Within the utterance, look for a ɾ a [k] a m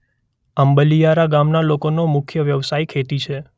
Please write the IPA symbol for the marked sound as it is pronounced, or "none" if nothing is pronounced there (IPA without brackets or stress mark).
ɡ